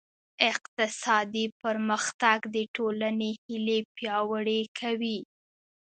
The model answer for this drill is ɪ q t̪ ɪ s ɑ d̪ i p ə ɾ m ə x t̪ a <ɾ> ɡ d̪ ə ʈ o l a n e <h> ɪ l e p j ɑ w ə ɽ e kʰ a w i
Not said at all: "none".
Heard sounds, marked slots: none, h

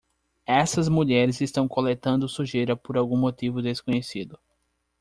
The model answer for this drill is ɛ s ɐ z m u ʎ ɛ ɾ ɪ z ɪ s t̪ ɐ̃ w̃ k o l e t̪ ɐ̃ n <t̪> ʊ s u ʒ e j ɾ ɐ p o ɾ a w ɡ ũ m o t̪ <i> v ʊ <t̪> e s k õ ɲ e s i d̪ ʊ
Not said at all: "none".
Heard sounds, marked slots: d̪, i, d̪

